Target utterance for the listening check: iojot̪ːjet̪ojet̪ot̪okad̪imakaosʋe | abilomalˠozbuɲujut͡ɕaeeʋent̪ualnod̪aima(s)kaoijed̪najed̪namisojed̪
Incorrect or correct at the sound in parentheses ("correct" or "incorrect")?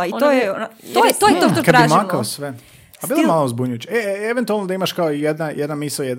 incorrect